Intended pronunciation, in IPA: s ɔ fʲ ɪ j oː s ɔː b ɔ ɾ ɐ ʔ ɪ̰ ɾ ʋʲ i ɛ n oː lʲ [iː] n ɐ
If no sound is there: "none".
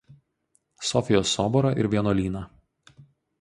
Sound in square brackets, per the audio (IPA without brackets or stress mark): iː